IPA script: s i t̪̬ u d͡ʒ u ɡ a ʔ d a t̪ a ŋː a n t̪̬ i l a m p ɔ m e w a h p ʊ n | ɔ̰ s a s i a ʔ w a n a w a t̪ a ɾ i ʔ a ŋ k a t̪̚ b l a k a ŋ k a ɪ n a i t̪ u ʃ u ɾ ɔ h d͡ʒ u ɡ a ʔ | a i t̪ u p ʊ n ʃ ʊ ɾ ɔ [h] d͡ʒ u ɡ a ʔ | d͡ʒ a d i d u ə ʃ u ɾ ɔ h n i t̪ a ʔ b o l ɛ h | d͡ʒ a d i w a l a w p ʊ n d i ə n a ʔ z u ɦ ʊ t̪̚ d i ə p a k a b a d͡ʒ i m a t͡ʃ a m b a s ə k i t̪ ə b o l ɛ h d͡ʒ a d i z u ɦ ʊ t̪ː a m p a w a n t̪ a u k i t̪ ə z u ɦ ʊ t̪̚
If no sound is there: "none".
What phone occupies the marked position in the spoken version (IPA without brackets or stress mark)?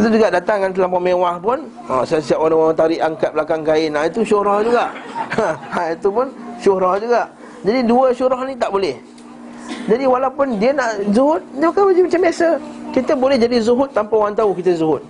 h